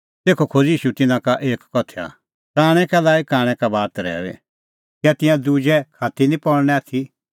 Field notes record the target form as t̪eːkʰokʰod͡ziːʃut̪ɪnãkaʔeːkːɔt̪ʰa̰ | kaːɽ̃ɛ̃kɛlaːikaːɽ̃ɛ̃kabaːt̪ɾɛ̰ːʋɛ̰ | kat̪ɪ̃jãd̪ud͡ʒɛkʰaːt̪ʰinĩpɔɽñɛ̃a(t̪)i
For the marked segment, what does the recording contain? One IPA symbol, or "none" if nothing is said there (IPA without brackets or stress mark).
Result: t̪ʰ